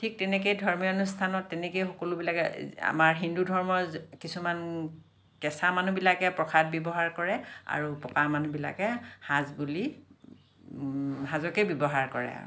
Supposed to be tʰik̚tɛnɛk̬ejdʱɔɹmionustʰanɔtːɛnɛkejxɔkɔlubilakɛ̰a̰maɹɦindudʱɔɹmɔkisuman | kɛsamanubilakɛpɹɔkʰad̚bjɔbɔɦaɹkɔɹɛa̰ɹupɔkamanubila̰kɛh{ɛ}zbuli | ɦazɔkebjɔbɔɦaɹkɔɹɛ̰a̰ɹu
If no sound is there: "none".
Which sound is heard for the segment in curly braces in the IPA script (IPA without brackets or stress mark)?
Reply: a